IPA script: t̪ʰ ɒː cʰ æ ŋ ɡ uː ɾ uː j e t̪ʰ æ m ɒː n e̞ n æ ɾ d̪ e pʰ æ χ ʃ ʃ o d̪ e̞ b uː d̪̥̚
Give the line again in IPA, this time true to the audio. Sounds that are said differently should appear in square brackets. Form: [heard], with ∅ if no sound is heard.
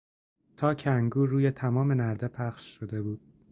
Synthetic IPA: t̪ʰ ɒː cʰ æ ŋ ɡ uː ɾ uː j e t̪ʰ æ m ɒː [m] e̞ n æ ɾ d̪ e pʰ æ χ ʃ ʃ o d̪ e̞ b uː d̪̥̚